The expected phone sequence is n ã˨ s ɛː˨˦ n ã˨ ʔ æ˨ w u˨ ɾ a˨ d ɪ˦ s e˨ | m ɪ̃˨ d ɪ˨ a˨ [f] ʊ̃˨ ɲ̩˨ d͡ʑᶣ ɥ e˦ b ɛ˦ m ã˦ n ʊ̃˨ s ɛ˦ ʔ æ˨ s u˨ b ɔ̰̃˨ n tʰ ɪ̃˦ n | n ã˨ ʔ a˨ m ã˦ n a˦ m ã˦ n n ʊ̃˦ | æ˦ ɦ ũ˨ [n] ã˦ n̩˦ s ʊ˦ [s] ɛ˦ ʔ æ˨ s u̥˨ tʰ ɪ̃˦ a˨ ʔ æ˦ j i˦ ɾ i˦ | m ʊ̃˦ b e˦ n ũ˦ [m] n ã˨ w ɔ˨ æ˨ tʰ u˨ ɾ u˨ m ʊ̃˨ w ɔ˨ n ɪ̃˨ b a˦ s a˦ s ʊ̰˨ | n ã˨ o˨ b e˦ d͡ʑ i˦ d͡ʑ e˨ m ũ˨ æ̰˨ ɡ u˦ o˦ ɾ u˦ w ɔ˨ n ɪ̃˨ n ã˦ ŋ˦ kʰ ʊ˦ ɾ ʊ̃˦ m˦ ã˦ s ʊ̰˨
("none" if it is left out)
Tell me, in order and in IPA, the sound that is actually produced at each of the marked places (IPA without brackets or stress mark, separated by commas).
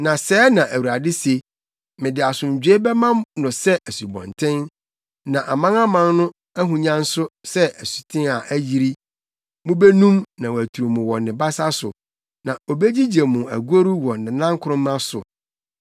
s, ɲ, s, m